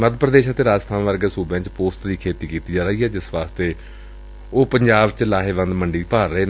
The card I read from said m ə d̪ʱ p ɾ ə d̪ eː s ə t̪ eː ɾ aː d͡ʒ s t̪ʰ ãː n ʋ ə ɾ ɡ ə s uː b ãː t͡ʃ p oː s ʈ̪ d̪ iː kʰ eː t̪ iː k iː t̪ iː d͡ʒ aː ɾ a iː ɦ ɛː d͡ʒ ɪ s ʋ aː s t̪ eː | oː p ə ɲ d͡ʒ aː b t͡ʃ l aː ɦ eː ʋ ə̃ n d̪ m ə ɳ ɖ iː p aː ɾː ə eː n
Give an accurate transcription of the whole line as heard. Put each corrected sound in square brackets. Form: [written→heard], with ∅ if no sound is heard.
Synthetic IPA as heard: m ə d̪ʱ p ɾ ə d̪ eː [s→ʃ] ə t̪ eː ɾ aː d͡ʒ s t̪ʰ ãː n ʋ ə ɾ ɡ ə s uː b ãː t͡ʃ p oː s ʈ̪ d̪ iː kʰ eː t̪ iː k iː t̪ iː d͡ʒ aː ɾ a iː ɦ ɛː d͡ʒ ɪ s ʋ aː s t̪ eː | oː p ə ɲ d͡ʒ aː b t͡ʃ l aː ɦ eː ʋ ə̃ n d̪ m ə ɳ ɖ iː p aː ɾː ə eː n